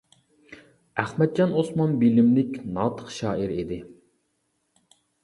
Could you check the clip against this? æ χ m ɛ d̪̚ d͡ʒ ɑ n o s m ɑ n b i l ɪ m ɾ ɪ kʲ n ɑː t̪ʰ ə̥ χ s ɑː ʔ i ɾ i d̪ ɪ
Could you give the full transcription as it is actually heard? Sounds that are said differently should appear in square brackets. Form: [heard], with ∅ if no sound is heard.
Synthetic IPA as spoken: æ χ m ɛ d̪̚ d͡ʒ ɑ n o s m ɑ n b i l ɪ m [l] ɪ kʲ n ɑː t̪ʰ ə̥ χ [ʃ] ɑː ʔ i ɾ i d̪ ɪ